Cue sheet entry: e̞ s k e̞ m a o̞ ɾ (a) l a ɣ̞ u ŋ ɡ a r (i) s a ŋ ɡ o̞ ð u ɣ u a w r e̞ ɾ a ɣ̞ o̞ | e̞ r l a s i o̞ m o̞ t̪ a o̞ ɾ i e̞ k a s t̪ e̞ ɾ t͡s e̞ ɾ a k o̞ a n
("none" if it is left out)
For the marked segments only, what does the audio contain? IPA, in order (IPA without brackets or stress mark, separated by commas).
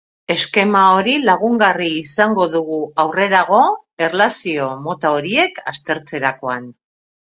i, iː